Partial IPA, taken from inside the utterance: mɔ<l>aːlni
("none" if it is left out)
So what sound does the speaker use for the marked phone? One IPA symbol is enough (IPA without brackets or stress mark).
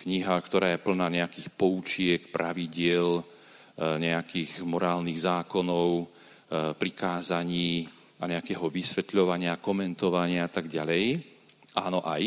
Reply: ɾ